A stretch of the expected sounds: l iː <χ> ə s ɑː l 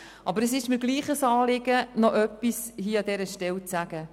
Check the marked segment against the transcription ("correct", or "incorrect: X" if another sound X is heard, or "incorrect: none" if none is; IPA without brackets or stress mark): correct